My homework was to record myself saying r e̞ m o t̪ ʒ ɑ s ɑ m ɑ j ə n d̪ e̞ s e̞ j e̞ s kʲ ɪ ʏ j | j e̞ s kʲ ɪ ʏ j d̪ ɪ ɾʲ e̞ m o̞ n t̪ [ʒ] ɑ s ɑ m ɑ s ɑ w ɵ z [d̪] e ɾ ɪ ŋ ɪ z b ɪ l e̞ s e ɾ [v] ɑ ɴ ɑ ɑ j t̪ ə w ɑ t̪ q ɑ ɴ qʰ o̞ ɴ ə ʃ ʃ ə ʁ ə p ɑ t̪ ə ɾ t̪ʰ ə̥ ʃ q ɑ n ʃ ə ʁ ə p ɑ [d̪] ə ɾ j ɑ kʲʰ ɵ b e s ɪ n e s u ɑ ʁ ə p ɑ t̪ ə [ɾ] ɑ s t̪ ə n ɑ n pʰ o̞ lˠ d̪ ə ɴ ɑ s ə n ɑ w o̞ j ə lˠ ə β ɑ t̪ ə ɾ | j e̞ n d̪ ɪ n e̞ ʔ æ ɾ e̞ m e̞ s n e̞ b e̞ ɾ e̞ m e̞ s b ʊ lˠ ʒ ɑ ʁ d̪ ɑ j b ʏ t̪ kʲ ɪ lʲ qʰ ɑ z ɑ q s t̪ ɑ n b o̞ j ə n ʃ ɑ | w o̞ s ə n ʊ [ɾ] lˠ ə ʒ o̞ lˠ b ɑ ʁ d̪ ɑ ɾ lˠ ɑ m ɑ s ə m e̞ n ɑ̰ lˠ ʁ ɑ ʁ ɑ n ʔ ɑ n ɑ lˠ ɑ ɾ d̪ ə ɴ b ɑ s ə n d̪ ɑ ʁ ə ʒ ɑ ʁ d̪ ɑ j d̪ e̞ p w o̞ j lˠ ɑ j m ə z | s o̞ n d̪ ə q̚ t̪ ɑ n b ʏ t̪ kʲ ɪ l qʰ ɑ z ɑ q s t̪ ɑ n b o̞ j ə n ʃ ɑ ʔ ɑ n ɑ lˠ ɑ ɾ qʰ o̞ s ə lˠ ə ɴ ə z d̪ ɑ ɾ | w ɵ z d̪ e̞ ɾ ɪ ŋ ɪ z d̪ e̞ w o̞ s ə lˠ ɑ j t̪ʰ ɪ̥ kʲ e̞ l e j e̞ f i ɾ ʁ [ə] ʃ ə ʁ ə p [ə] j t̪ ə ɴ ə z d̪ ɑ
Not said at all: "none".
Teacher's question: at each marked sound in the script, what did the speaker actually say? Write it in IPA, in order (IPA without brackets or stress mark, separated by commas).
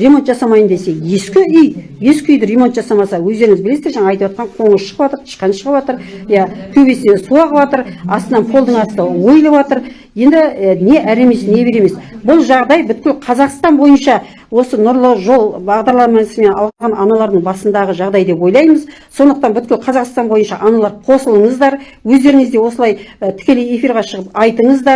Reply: ʒ, d̪, ʒ, t̪, ɾ, ɾ, ɑ, ɑ